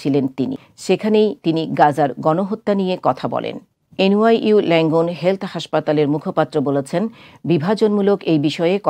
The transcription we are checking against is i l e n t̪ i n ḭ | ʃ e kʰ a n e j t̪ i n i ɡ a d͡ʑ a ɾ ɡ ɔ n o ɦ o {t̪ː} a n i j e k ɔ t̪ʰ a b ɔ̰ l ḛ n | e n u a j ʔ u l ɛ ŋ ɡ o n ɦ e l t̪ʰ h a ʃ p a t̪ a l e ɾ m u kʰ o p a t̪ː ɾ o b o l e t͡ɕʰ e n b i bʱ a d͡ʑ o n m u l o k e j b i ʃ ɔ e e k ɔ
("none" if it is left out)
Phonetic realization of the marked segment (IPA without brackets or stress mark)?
t̪ː